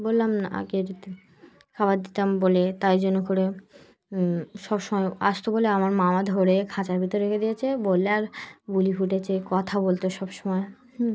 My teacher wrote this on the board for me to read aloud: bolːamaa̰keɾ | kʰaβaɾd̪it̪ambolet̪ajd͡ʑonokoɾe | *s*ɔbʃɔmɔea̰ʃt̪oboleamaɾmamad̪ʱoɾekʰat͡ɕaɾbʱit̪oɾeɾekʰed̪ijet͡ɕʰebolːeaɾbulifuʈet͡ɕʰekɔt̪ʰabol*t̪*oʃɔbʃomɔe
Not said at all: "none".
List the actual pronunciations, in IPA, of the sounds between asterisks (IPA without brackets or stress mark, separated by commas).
ʃ, t̪